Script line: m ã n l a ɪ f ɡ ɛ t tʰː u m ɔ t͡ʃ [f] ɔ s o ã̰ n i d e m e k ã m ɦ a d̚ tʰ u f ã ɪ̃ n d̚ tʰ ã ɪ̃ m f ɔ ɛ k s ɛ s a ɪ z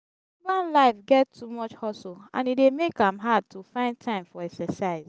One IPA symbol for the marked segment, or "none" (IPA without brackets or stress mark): h